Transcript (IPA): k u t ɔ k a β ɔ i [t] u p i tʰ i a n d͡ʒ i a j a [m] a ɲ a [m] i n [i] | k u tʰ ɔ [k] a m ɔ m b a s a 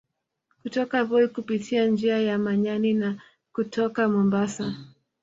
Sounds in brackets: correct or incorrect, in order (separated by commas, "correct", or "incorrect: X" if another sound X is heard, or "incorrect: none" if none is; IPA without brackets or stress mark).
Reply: incorrect: k, correct, incorrect: n, incorrect: a, correct